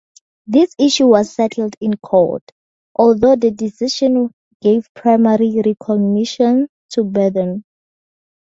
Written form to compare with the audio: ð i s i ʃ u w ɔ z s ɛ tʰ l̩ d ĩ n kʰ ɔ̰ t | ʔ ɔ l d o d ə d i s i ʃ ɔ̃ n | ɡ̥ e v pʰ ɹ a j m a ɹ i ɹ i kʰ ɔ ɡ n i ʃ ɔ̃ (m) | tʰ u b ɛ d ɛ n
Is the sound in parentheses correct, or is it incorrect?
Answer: incorrect